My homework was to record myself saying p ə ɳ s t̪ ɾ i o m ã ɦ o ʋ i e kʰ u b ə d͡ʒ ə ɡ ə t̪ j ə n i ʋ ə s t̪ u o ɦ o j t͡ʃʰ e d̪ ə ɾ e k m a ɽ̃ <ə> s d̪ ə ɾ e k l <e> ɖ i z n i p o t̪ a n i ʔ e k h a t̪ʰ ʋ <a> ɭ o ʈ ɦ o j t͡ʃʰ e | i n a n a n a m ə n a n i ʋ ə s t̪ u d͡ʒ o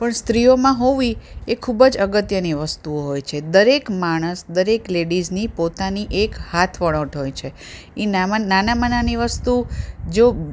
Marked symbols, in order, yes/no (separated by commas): yes, yes, no